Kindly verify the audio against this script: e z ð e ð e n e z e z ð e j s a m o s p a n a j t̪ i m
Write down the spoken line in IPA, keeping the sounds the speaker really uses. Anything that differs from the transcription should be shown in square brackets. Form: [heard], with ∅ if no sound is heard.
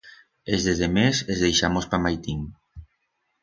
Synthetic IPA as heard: e z ð e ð e [m] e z e z ð e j [ʃ] a m o s p a [m] a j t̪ i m

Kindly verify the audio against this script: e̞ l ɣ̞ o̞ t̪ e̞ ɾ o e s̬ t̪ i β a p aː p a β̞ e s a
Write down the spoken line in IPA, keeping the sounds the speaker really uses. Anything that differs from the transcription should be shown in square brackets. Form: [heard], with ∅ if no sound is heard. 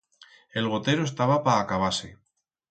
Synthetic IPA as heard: e̞ l ɣ̞ o̞ t̪ e̞ ɾ o e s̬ t̪ [a] β a p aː [k] a β̞ [a] s [e]

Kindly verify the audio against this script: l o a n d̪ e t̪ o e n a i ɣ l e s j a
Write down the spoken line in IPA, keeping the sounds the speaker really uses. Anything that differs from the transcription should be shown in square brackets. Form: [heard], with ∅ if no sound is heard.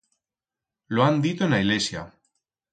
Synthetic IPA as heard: l o a n d̪ [i] t̪ o e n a i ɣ l e s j a

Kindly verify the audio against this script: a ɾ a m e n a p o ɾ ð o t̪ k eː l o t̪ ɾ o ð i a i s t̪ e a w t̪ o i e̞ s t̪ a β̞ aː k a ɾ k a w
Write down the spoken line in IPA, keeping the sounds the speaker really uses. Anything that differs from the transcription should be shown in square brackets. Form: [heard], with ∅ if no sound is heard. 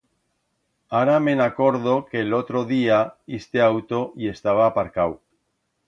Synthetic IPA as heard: a ɾ a m e n a [k] o ɾ ð o [∅] k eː l o t̪ ɾ o ð i a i s t̪ e a w t̪ o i e̞ s t̪ a β̞ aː [p] a ɾ k a w

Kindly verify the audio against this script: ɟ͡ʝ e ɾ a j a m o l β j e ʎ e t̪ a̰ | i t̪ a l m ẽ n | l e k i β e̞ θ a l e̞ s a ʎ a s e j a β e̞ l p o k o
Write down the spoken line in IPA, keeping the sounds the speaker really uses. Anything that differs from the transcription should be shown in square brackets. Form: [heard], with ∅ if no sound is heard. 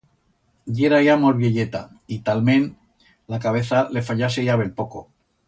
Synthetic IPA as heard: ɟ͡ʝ e ɾ a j a m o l β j e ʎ e t̪ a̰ | i t̪ a l m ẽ n | l [a] k [a] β e̞ θ a l e̞ [f] a ʎ a s e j a β e̞ l p o k o

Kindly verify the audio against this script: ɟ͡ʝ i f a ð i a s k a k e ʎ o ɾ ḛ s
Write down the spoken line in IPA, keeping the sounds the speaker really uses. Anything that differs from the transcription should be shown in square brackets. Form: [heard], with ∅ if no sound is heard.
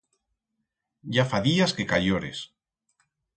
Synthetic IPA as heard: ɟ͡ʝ [a] f a ð i a s k [e] k [a] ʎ o ɾ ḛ s

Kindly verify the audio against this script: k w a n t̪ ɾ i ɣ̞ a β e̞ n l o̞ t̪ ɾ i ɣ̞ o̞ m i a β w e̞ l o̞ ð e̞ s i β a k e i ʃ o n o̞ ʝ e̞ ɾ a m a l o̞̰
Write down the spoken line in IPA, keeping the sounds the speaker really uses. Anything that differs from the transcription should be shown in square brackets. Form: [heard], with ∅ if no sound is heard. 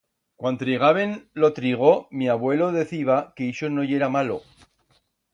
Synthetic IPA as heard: k w a n t̪ ɾ i ɣ̞ a β e̞ n l o̞ t̪ ɾ i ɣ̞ o̞ m i a β w e̞ l o̞ ð e̞ [θ] i β a k e i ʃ o n o̞ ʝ e̞ ɾ a m a l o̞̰

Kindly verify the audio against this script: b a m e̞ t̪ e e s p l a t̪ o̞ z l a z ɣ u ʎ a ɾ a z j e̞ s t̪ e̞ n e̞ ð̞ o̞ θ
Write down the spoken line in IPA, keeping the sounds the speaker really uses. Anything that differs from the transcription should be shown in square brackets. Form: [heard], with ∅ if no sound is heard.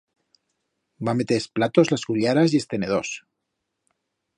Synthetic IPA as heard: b a m e̞ t̪ e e s p l a t̪ o̞ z l a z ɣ u ʎ a ɾ a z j e̞ s t̪ e̞ n e̞ ð̞ o̞ [s]

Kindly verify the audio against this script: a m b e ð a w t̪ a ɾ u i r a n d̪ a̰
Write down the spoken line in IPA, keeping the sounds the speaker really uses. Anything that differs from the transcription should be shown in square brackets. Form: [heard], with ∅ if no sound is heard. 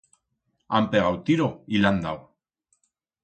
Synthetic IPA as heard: a m [p] e [ɣ] a w t̪ [i] ɾ [o] i [l] a n d̪ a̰

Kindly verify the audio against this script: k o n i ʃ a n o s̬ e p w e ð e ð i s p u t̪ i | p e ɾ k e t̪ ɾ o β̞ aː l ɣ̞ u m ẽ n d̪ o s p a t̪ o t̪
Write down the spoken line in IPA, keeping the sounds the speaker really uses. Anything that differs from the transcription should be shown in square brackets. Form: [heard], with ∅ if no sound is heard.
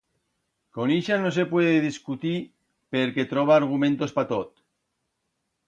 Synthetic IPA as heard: k o n i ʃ a n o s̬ e p w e ð e ð i s [k] u t̪ i | p e ɾ k e t̪ ɾ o β̞ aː [ɾ] ɣ̞ u m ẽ n [t̪] o s p a t̪ o t̪

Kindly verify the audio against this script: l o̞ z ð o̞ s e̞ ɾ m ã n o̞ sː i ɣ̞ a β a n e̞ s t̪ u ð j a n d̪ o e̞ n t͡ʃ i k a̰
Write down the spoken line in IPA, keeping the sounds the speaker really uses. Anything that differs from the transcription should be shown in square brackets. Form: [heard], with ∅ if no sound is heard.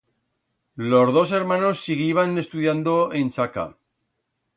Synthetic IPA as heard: l o̞ z ð o̞ s e̞ ɾ m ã n o̞ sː i ɣ̞ [i] β a n e̞ s t̪ u ð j a n d̪ o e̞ n t͡ʃ [a] k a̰

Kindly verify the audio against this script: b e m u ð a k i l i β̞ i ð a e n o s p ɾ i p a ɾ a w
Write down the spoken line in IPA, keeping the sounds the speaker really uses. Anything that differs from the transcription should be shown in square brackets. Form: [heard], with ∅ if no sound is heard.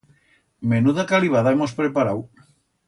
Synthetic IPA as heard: [m] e [n] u ð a k [a] l i β̞ [a] ð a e [m] o s p ɾ [e] p a ɾ a w

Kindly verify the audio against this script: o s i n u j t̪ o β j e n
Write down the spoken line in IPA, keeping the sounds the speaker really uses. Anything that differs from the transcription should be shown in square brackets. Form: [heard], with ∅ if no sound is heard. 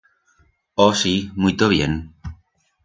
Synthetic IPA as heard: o s i [m] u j t̪ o β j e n

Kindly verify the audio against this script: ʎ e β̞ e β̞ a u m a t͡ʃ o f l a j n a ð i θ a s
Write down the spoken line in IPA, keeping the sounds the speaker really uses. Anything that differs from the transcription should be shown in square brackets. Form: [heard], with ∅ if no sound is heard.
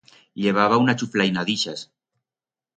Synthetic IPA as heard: ʎ e β̞ [a] β̞ a u [n] a t͡ʃ [u] f l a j n a ð i [ʃ] a s

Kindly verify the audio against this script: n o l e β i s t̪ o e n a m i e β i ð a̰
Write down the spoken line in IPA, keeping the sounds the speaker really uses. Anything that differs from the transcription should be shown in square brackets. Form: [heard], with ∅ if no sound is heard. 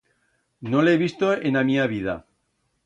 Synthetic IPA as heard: n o l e β i s t̪ o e n a m i [a] β i ð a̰

